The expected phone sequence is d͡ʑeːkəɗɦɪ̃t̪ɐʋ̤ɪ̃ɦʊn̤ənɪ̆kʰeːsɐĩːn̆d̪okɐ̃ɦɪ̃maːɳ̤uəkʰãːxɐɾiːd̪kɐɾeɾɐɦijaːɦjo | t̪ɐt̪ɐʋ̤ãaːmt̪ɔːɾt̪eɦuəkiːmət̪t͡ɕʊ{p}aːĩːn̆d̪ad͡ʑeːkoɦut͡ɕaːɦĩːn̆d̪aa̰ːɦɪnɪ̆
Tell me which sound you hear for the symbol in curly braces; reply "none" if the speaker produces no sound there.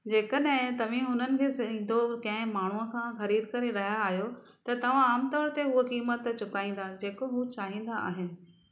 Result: k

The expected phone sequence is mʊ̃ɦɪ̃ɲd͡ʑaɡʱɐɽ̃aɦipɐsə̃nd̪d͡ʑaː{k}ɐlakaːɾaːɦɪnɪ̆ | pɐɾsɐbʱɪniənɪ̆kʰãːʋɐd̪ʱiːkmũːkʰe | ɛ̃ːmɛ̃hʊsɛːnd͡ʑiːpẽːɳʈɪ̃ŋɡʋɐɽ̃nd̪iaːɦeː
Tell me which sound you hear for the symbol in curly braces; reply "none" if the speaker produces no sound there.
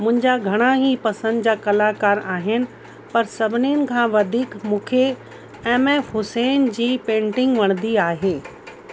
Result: k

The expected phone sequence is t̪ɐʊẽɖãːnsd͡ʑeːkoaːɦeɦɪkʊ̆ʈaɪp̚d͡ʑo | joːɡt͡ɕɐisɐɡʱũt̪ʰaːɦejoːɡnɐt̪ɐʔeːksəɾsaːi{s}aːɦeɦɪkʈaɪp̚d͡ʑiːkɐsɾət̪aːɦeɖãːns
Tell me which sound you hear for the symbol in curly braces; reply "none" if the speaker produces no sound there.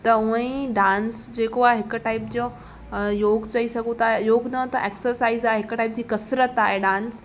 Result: z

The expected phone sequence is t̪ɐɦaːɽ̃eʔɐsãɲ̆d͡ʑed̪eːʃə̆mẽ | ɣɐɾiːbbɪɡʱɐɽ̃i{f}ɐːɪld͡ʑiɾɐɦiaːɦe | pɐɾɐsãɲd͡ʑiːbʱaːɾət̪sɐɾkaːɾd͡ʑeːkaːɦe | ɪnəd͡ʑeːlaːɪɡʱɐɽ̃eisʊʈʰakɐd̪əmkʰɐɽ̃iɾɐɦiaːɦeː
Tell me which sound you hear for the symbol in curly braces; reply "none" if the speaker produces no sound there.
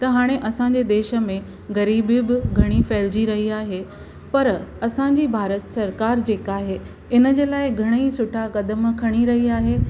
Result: f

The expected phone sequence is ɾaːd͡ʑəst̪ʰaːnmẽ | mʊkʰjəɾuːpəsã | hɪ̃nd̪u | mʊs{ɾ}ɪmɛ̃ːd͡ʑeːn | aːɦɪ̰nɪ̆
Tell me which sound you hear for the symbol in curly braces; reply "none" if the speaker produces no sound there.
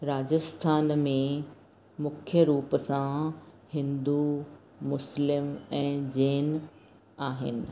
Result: l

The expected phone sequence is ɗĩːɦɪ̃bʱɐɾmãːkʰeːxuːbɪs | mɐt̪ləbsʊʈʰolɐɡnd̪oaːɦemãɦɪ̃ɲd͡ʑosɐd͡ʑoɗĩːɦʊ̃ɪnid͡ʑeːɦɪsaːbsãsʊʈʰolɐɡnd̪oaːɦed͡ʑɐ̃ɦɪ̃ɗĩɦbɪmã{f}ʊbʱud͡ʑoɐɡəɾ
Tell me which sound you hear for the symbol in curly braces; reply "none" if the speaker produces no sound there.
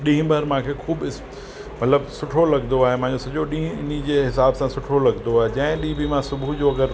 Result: s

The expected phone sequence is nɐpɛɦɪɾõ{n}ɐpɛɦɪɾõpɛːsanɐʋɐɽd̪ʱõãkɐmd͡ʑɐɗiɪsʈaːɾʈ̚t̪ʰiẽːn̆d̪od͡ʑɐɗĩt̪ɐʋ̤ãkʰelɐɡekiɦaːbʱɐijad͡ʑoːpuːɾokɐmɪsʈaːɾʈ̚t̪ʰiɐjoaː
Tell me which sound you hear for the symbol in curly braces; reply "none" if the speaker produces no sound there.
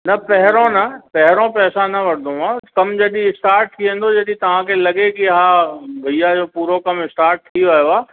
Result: n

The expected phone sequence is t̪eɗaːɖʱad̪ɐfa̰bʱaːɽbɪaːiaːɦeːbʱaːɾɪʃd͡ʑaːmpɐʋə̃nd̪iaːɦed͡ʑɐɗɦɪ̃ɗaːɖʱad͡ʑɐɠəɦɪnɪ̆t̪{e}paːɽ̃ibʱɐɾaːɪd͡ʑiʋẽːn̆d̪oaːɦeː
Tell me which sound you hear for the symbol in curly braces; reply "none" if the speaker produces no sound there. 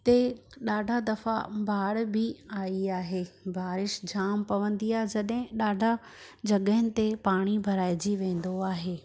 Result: e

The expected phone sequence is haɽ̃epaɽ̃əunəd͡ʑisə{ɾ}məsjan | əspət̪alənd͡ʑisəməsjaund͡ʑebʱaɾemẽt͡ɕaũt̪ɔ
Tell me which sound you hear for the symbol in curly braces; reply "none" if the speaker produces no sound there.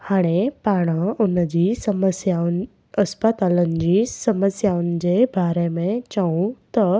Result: none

